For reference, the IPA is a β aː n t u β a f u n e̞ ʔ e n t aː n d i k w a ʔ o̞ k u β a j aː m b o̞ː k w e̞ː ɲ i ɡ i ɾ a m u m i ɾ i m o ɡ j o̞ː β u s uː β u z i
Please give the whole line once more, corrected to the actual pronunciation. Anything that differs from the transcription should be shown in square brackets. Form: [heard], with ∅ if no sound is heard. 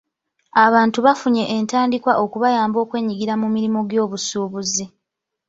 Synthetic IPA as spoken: a β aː n t u β a f u [ɲ] e̞ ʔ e n t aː n d i k w a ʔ o̞ k u β a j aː m b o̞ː k w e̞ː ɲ i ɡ i ɾ a m u m i ɾ i m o ɡ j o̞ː β u s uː β u z i